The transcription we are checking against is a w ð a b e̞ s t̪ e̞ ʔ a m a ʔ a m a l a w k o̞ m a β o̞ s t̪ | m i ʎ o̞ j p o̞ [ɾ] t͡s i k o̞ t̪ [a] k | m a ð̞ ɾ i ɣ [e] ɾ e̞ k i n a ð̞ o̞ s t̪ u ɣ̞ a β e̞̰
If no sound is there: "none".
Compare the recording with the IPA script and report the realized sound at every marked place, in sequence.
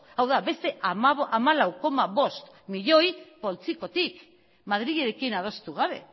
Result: l, i, e

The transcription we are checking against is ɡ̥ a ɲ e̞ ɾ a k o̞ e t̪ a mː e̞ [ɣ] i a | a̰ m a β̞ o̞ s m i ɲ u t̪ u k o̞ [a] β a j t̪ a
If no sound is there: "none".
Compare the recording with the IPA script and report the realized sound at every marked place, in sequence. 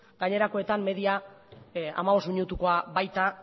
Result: ð, a

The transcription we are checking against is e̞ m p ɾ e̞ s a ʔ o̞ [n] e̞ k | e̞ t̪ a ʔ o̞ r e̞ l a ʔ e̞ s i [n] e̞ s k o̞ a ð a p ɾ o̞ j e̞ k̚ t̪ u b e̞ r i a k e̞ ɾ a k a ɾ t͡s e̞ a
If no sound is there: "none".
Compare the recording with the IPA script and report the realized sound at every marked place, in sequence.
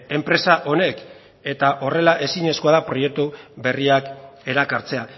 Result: n, ɲ

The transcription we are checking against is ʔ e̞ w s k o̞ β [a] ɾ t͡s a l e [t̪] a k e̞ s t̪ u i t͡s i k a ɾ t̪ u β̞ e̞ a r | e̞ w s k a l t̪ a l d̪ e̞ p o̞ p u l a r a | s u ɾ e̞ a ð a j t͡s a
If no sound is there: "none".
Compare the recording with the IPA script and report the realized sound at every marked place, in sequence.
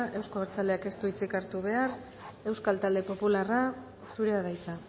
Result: e, none

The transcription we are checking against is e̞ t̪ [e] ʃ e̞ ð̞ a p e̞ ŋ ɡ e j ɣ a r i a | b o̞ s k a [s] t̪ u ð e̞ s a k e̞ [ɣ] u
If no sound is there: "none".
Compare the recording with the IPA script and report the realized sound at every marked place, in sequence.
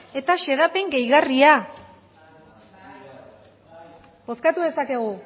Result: a, none, ɣ

